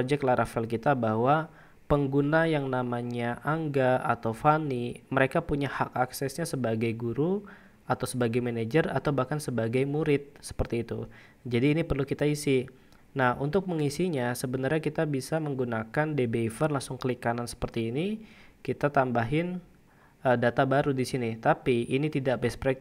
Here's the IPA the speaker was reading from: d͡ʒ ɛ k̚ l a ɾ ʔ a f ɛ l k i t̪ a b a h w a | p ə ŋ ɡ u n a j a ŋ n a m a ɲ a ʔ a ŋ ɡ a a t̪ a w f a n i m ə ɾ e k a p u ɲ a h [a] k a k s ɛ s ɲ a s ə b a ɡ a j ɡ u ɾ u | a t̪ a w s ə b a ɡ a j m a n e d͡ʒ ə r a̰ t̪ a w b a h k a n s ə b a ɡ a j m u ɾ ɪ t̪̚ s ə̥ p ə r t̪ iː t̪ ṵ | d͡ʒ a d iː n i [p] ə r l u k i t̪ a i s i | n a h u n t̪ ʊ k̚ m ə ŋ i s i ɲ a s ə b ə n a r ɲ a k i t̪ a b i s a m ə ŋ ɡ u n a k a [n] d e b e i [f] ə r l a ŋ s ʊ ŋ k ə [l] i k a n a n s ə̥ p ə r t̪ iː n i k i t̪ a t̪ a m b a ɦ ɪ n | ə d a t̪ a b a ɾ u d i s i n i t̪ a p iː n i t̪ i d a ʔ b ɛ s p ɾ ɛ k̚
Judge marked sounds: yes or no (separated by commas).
yes, yes, yes, yes, yes